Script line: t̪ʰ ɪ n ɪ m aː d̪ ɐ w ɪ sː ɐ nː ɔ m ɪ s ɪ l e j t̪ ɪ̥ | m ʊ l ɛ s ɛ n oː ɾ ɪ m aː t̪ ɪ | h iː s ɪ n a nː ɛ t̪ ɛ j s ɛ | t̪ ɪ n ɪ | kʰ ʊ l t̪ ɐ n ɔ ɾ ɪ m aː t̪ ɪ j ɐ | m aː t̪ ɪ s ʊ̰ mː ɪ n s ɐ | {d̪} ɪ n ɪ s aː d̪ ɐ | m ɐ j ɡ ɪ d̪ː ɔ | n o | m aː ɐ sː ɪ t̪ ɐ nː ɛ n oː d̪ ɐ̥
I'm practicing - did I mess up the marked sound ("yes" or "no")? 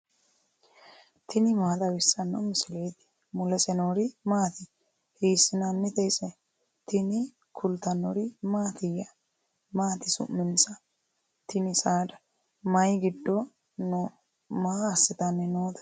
yes